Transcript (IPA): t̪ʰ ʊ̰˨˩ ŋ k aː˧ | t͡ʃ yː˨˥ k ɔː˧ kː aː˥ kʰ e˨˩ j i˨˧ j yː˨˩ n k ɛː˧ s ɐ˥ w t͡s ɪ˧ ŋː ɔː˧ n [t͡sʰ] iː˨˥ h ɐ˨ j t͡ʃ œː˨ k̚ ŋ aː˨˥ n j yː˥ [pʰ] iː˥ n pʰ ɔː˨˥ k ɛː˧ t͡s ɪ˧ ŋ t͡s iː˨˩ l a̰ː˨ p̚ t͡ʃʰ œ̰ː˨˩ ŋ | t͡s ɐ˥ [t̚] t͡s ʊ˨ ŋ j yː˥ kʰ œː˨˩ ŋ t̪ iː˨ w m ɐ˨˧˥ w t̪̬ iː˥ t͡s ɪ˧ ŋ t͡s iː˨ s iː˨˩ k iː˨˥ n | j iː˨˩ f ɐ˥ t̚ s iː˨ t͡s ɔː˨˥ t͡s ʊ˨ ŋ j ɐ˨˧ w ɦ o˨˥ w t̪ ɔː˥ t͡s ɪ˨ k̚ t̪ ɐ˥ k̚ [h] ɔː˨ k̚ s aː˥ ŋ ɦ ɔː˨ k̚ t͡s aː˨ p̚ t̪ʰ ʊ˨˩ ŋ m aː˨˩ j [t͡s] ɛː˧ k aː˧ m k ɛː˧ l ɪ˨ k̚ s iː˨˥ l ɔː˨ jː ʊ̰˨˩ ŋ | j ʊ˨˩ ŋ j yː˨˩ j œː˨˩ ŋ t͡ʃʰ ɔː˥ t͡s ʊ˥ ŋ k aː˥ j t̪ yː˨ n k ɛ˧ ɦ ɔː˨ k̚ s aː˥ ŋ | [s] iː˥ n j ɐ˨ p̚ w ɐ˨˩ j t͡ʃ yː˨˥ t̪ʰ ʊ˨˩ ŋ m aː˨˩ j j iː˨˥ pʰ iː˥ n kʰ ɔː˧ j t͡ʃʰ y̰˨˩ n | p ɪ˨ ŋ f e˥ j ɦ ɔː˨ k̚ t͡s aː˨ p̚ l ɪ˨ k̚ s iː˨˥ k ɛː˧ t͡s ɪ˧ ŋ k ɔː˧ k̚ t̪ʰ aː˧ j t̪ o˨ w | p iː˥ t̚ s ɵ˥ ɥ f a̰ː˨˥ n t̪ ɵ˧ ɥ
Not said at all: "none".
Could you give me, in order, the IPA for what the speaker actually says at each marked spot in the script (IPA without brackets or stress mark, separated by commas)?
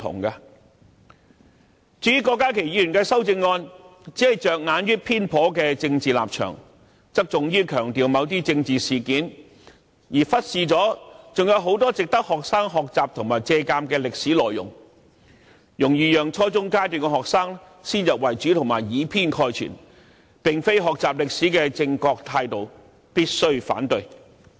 t͡s, pʰ, k̚, h, t͡s, s